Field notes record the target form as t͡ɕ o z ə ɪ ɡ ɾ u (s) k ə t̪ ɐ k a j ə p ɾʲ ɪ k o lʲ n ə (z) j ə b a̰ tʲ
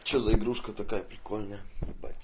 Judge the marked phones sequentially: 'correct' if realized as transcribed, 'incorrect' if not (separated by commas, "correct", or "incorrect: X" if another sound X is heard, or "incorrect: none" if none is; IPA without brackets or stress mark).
incorrect: ʂ, incorrect: none